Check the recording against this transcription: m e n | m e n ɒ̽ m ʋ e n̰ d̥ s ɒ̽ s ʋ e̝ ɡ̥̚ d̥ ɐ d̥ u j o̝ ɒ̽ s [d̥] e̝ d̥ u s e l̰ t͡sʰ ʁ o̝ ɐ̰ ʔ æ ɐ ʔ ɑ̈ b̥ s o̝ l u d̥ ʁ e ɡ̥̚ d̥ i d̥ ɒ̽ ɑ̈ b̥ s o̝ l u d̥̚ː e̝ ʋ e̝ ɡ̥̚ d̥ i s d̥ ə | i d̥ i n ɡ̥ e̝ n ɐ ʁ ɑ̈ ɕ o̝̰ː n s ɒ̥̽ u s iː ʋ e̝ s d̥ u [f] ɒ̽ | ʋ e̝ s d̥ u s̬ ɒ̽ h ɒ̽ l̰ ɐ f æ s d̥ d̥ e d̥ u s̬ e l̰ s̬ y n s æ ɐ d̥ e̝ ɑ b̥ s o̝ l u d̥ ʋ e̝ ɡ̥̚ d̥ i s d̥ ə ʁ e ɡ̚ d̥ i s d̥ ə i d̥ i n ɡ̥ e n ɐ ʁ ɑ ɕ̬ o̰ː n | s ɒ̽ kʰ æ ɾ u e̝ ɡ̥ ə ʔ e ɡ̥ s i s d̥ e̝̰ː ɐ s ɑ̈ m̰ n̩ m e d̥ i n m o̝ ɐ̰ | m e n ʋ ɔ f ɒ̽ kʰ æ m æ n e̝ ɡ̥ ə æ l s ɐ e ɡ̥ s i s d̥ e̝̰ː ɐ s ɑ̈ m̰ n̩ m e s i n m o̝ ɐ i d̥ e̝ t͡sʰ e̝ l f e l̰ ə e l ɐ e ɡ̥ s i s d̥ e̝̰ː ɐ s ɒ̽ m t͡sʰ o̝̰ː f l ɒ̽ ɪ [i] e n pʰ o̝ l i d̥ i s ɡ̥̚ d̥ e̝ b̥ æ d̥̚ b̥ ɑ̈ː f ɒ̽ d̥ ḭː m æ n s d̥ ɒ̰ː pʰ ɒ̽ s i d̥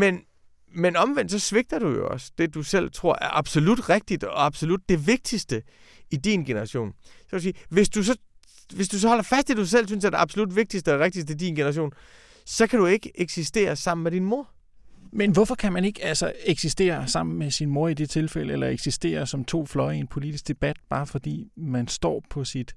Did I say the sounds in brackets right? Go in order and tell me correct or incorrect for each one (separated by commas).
correct, incorrect, correct